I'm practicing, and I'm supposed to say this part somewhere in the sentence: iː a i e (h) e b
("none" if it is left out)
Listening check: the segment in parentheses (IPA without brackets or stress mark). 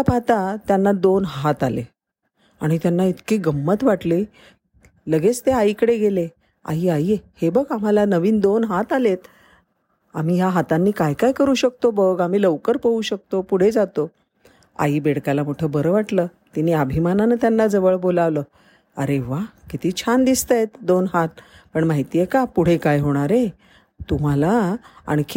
h